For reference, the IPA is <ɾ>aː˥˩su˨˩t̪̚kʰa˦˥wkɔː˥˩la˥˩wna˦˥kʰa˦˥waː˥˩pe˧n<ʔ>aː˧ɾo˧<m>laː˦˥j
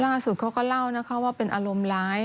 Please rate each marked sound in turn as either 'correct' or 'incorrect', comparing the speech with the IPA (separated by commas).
incorrect, correct, correct